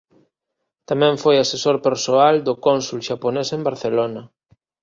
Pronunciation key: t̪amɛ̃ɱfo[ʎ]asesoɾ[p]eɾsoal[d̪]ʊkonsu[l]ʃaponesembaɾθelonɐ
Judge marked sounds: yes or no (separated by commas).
no, yes, yes, yes